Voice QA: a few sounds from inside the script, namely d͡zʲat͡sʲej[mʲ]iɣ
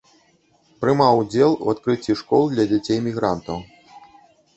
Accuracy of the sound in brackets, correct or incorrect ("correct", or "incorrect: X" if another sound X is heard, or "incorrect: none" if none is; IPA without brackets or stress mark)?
correct